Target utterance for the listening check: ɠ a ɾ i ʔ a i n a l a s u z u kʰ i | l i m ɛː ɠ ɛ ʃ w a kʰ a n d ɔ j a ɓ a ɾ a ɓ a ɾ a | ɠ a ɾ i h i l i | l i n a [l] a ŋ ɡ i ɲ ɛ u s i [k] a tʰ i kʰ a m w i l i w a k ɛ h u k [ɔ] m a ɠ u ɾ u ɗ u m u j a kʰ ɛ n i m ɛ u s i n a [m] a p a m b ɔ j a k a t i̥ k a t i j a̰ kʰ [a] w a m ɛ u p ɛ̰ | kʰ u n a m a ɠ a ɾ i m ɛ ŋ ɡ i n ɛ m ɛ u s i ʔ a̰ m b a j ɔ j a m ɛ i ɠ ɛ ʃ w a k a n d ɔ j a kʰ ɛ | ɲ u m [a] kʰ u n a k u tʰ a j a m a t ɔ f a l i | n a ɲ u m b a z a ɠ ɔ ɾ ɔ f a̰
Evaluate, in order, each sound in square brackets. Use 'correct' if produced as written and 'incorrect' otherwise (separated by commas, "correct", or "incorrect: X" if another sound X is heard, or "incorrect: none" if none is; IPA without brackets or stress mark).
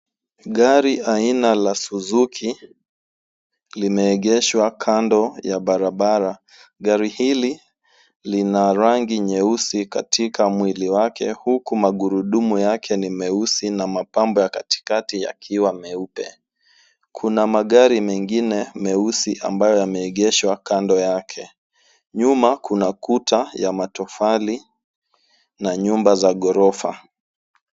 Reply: incorrect: ɾ, correct, incorrect: u, correct, incorrect: i, correct